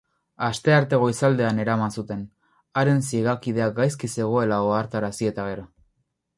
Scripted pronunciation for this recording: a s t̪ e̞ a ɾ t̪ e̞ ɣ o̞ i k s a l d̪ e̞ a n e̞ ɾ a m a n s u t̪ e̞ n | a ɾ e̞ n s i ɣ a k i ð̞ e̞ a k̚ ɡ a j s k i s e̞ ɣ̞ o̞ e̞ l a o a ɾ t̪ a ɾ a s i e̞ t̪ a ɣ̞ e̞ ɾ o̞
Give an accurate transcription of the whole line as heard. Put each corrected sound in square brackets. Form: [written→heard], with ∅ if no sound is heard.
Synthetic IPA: a s t̪ e̞ a ɾ t̪ e̞ ɣ o̞ i [k→∅] s a l d̪ e̞ a n e̞ ɾ a m a n s u t̪ e̞ n | a ɾ e̞ n s i ɣ a k i ð̞ e̞ a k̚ ɡ a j s k i s e̞ ɣ̞ o̞ e̞ l a o a ɾ t̪ a ɾ a s i e̞ t̪ a ɣ̞ e̞ ɾ o̞